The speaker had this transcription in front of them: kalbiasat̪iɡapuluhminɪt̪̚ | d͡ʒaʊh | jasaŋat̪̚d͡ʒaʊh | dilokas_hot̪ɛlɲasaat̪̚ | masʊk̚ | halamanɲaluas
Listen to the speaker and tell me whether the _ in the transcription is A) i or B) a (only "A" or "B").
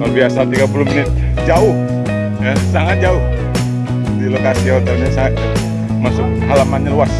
A